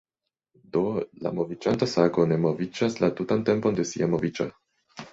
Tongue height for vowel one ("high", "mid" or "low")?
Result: mid